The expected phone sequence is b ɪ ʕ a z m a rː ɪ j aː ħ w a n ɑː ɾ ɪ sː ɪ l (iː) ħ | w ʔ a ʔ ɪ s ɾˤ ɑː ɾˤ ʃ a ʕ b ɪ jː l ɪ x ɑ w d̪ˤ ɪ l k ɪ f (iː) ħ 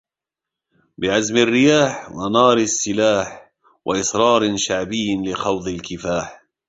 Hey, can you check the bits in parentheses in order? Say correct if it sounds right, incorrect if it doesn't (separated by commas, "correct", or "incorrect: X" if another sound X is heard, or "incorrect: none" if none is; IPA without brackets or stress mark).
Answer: incorrect: aː, incorrect: aː